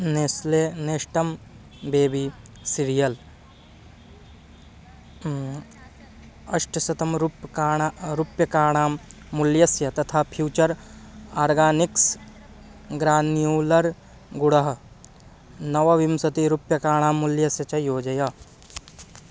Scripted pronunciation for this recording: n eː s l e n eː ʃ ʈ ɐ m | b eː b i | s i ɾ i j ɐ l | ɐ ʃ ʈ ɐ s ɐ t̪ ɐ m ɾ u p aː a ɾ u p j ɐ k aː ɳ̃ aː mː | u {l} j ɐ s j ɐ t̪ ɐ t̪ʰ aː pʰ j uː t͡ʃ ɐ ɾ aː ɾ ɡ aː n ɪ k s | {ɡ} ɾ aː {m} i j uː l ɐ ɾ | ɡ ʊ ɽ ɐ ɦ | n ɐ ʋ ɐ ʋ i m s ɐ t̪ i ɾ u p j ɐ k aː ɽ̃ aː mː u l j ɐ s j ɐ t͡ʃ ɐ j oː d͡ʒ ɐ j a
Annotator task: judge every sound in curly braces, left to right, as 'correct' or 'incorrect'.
correct, correct, incorrect: n

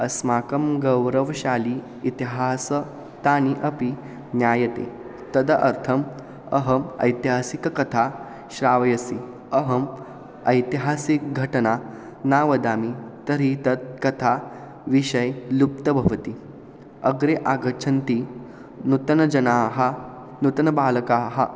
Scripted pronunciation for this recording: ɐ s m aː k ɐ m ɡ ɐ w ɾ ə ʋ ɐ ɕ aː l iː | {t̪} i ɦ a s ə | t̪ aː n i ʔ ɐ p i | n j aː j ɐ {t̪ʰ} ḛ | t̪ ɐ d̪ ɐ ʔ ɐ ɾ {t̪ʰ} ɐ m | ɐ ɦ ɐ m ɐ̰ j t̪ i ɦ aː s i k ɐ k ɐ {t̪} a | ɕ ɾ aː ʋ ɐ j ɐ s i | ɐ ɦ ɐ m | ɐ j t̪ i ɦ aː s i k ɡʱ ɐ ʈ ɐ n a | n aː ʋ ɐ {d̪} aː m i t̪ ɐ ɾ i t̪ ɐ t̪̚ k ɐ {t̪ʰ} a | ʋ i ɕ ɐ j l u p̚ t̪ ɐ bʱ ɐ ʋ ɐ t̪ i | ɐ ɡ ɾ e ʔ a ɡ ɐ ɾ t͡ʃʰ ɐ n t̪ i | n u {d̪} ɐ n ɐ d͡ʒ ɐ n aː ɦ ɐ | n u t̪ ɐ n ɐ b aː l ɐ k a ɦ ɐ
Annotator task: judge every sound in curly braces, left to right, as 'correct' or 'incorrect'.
correct, incorrect: t̪, correct, incorrect: t̪ʰ, correct, correct, incorrect: t̪

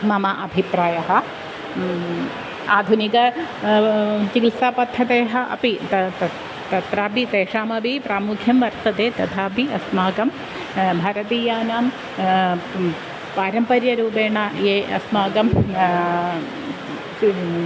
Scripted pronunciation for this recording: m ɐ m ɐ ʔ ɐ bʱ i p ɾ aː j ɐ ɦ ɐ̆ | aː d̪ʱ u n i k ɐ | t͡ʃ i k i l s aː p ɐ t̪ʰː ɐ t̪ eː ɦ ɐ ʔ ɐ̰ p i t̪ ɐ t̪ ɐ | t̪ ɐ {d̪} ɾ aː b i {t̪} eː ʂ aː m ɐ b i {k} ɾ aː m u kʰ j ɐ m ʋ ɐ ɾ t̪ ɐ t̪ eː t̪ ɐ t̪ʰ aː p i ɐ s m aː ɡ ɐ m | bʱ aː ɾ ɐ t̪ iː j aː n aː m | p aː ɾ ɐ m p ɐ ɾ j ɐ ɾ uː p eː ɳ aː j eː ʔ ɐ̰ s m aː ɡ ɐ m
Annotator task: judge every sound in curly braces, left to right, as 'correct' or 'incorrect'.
incorrect: t̪, correct, incorrect: p

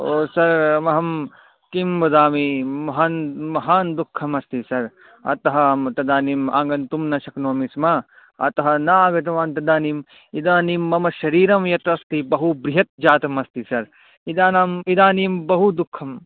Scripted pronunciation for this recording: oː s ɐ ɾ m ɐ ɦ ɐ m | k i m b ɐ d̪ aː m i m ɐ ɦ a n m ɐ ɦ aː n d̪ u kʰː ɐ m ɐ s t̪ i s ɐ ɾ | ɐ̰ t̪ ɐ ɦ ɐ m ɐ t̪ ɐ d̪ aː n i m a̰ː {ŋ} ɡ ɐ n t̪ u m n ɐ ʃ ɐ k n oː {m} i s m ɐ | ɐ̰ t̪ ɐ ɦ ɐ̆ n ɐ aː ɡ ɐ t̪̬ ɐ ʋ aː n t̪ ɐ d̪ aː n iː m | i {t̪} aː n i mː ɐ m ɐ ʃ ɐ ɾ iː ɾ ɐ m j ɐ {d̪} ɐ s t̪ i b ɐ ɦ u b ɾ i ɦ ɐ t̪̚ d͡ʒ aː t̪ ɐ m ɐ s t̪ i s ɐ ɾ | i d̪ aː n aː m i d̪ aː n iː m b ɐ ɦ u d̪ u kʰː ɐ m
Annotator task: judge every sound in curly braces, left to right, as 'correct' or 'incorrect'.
correct, correct, incorrect: d̪, incorrect: t̪

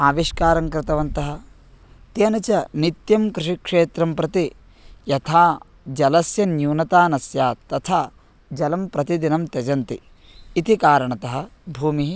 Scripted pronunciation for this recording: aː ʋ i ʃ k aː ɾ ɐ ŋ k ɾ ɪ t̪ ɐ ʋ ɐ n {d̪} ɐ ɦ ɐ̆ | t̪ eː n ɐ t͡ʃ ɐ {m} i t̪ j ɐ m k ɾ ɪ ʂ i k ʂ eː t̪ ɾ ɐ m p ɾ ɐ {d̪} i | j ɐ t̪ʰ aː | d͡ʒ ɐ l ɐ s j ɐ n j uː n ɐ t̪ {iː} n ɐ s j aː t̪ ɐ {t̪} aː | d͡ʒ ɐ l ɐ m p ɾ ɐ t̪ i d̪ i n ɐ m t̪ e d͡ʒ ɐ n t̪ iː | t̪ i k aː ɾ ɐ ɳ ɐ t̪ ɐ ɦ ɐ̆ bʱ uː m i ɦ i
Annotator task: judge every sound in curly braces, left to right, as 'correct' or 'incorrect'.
incorrect: t̪, incorrect: n, incorrect: t̪, incorrect: aː, incorrect: t̪ʰ

